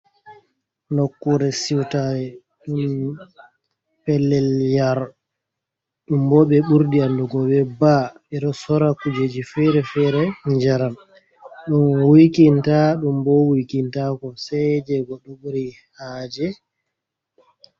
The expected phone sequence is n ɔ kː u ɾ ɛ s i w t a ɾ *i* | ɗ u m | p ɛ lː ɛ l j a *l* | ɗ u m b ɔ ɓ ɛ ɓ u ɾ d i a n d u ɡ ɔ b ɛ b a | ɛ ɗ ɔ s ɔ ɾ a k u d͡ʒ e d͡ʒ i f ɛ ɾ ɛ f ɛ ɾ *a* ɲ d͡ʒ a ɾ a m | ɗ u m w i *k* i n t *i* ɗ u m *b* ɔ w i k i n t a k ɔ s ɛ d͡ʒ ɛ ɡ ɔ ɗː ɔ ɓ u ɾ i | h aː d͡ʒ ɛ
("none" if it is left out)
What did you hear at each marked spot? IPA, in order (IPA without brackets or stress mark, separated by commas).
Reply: ɛ, ɾ, ɛ, k, a, b